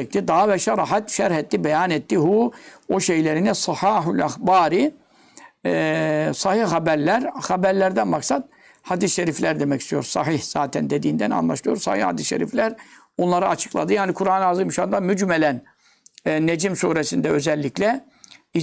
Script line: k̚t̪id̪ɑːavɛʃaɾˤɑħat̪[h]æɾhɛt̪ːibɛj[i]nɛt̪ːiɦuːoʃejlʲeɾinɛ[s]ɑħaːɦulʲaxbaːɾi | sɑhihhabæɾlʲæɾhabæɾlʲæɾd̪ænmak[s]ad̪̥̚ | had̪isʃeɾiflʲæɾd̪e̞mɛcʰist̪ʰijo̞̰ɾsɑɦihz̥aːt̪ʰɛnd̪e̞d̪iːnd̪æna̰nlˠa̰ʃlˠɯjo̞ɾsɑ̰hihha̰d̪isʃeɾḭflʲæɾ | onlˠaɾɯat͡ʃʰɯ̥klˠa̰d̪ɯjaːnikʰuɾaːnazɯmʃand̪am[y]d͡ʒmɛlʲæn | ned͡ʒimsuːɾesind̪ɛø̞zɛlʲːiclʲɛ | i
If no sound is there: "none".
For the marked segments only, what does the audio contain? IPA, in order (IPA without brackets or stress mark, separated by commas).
ʃ, a, s, s, y